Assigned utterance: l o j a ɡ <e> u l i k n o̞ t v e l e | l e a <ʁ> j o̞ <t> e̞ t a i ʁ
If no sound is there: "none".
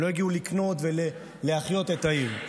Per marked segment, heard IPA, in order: i, χ, t

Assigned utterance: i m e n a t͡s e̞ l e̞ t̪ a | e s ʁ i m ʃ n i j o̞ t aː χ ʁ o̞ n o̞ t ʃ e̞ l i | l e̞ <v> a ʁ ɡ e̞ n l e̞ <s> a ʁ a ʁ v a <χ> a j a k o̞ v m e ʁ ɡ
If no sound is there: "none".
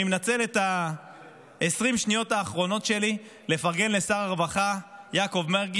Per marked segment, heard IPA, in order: f, s, χ

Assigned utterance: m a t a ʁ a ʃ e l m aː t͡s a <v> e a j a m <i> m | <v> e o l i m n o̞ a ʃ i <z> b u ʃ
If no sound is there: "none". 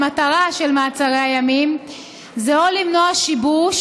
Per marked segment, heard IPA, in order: ʁ, i, z, none

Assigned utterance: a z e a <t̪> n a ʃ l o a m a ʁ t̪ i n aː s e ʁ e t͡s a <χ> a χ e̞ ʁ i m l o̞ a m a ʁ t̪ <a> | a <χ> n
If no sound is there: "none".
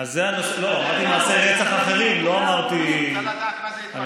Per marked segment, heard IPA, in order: none, χ, i, none

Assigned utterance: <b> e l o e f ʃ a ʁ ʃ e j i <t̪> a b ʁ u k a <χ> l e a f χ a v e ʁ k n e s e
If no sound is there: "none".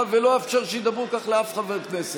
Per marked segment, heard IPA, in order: v, d̪, χ

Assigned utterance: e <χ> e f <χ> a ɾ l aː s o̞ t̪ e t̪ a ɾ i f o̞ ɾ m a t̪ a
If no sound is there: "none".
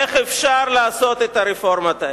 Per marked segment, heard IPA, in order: χ, ʃ

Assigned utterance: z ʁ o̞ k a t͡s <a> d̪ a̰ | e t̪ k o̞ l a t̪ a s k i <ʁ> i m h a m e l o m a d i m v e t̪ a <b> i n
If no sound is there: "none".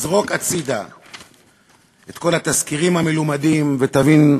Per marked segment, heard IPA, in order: i, ʁ, v

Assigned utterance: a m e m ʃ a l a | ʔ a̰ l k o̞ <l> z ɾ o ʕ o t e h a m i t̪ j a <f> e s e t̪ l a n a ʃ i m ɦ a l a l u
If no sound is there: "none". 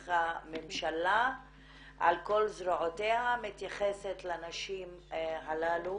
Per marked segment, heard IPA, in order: l, χ

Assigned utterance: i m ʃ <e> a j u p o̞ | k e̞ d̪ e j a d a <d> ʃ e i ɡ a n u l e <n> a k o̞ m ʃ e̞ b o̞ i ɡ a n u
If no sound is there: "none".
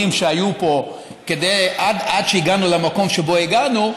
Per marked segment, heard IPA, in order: e, d, m

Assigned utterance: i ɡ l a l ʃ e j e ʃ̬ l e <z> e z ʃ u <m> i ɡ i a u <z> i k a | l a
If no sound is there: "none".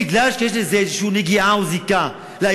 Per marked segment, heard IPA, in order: z, n, z

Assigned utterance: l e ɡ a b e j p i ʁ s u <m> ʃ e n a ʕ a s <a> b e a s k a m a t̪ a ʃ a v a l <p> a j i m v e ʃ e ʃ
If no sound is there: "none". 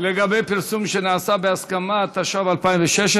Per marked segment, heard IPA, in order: m, a, p

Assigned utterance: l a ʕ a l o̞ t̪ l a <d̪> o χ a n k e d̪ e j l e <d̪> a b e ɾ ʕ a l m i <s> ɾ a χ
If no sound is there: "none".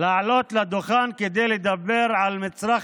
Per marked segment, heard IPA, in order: d̪, d̪, t͡s

